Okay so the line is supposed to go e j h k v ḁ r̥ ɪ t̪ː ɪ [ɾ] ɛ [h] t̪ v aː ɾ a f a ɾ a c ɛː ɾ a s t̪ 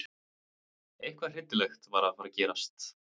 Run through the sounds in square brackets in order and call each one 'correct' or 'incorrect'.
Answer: incorrect: l, incorrect: x

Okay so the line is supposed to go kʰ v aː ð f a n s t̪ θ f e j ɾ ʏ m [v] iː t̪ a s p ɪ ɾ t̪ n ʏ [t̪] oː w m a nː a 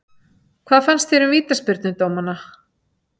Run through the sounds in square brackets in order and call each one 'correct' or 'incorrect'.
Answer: correct, correct

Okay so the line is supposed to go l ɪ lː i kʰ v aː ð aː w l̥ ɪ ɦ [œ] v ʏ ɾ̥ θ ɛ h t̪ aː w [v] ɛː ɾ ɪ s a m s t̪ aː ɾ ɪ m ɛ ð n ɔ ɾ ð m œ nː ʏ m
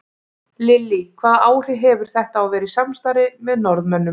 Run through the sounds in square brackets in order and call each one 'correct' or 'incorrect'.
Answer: incorrect: ɛ, correct

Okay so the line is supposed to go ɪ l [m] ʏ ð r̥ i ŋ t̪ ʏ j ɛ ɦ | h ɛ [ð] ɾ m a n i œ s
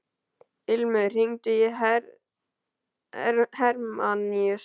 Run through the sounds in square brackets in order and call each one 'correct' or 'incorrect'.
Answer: correct, incorrect: none

